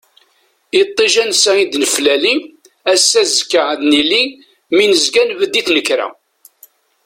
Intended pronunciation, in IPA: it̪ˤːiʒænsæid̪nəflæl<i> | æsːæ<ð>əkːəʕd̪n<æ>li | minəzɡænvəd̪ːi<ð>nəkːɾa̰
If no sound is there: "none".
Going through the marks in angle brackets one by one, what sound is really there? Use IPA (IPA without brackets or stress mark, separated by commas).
i, z, i, θ